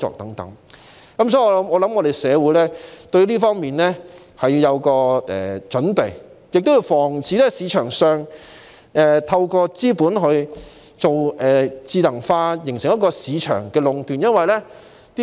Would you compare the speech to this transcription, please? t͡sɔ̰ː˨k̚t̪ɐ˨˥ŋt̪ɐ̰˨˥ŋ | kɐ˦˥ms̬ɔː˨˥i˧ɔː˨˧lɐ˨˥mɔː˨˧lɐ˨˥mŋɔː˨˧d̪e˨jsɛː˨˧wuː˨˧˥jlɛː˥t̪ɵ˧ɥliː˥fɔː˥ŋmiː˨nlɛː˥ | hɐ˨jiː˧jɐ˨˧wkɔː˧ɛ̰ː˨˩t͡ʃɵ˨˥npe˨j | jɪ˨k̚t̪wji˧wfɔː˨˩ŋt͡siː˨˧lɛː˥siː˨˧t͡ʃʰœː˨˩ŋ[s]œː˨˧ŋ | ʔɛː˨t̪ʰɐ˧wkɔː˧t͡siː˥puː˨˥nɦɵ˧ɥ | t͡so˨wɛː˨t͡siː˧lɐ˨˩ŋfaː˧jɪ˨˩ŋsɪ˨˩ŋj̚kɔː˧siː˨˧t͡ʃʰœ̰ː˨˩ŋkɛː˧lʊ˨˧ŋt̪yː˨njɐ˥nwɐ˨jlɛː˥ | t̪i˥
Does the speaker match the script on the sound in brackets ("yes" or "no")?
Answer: yes